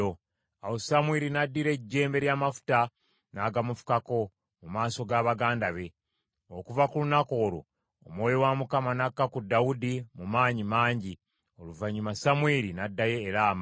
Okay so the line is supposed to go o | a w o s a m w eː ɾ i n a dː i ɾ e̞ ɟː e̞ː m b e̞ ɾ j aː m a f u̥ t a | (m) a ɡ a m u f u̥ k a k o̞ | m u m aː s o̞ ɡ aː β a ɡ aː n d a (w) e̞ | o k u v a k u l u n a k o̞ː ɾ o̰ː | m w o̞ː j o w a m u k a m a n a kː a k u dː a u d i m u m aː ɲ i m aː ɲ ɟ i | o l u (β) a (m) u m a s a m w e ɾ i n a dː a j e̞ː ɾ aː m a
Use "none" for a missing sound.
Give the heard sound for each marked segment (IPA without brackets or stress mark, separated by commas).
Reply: n, β, v, ɲ